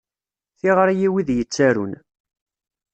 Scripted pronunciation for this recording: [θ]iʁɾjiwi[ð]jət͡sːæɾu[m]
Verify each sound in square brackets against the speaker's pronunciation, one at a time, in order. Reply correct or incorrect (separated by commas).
correct, correct, incorrect